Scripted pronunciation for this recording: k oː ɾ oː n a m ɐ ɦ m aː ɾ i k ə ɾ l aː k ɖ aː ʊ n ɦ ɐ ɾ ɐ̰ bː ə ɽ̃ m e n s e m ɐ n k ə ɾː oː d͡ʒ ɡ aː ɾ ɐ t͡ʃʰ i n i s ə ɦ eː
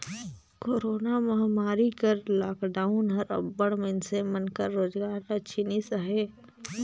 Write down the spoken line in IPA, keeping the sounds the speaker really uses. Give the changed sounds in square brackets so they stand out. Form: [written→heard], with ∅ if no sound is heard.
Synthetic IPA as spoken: k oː ɾ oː n a m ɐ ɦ m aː ɾ i k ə ɾ l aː k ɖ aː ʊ n ɦ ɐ ɾ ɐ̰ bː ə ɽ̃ m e n s e m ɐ n k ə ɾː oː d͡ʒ ɡ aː ɾ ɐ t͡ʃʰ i n i s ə ɦ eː